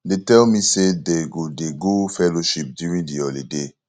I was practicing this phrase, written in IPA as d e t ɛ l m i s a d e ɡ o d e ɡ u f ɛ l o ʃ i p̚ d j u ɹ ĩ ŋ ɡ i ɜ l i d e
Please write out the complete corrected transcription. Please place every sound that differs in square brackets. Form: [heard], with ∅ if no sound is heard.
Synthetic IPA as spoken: d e t ɛ l m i s [e] d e ɡ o d e ɡ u f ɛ l o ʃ i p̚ d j u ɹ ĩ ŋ [d] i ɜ l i d e